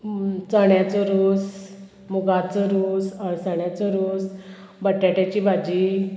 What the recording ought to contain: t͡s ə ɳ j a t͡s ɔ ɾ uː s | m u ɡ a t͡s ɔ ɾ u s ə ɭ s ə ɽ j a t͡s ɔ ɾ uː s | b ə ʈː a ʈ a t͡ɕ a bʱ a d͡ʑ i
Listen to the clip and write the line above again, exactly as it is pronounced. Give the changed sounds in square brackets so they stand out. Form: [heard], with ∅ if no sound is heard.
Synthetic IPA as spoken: t͡s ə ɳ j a t͡s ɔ ɾ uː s | m u ɡ a t͡s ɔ ɾ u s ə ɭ s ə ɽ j a t͡s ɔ ɾ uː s | b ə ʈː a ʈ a t͡ɕ [i] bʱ a d͡ʑ i